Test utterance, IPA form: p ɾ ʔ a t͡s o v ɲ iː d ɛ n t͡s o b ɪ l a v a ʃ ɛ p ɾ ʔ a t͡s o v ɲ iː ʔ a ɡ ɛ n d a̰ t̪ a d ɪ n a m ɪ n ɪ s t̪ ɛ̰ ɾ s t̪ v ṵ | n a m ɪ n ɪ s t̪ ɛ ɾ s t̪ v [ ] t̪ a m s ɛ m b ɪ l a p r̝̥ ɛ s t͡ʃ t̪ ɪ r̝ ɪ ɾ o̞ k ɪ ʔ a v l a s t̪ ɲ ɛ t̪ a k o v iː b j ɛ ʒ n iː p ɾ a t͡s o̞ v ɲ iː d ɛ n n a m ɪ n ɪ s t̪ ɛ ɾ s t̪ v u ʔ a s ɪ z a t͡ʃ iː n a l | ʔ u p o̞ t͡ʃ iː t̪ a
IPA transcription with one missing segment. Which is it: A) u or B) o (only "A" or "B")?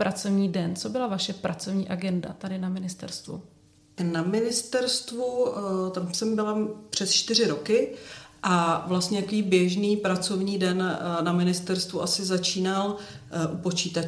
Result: A